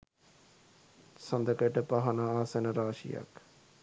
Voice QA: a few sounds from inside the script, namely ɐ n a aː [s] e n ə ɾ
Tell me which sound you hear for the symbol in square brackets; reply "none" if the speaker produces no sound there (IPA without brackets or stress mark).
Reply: s